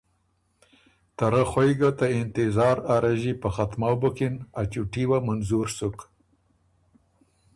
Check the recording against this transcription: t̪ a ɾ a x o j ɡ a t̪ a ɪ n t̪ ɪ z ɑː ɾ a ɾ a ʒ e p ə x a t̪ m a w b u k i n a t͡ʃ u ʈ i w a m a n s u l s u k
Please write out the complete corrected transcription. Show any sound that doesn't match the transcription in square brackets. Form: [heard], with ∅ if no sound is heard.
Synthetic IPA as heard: t̪ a ɾ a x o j ɡ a t̪ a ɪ n t̪ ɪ z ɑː ɾ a ɾ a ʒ [i] p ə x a t̪ m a w b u k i n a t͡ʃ u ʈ i w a m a n [z] u [ɾ] s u k